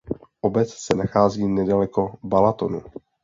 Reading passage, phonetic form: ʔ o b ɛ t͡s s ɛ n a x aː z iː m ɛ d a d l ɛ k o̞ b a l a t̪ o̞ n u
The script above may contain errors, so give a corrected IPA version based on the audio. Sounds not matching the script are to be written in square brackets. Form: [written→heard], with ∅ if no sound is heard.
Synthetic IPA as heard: ʔ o b ɛ t͡s s ɛ n a x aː z iː [m→n] ɛ d a [d→∅] l ɛ k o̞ b a l a t̪ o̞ n u